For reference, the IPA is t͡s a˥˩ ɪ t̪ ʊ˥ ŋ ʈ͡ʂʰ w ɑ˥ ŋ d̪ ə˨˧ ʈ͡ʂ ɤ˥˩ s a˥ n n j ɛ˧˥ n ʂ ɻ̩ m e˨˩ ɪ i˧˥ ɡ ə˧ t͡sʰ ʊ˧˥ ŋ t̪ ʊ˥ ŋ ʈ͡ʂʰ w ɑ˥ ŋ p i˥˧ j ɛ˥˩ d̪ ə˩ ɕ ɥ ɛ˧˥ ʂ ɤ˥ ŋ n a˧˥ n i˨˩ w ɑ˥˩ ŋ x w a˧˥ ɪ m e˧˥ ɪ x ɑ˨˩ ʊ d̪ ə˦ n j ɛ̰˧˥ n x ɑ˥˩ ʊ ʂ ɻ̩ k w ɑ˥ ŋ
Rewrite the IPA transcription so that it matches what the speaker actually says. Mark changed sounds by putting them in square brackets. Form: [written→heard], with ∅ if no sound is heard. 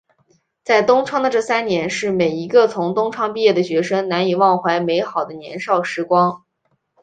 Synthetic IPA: t͡s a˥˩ ɪ t̪ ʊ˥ ŋ ʈ͡ʂʰ w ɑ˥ ŋ d̪ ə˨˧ ʈ͡ʂ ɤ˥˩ s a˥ n n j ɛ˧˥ n ʂ ɻ̩ m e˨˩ ɪ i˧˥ ɡ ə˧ t͡sʰ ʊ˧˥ ŋ t̪ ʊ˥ ŋ ʈ͡ʂʰ w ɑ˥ ŋ p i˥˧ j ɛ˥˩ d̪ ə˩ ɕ ɥ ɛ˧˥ ʂ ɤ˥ ŋ n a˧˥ n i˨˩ w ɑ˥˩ ŋ x w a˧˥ ɪ m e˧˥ ɪ x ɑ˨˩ ʊ d̪ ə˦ n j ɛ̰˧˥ n [x→ʂ] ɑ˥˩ ʊ ʂ ɻ̩ k w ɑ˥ ŋ